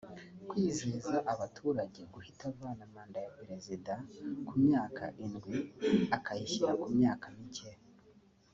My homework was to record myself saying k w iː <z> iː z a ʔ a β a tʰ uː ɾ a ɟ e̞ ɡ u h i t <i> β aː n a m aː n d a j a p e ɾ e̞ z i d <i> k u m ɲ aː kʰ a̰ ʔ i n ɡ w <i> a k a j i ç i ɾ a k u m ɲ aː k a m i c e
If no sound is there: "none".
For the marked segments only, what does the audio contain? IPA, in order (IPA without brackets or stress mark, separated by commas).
z, a, a, i